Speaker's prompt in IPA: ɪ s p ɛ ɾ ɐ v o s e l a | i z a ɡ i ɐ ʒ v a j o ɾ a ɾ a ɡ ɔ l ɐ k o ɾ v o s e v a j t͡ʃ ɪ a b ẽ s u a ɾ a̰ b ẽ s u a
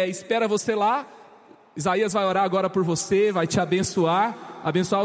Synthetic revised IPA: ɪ s p ɛ ɾ ɐ v o s e l a | i z a i ɐ z v a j o ɾ a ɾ a ɡ ɔ ɾ ɐ p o ɾ v o s e v a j t͡ʃ ɪ a b ẽ s u a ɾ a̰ b ẽ s u a